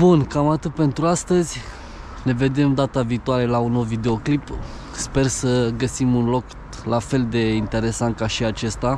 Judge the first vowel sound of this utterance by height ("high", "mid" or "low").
high